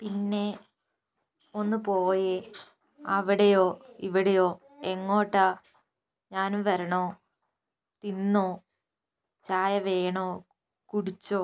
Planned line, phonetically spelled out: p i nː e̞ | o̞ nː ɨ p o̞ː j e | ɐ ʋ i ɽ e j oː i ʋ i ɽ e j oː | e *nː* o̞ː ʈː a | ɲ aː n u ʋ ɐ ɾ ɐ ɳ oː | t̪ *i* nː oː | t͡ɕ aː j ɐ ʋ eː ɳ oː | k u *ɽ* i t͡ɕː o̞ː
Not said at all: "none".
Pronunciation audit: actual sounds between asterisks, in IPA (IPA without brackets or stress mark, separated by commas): ŋː, i, ɽ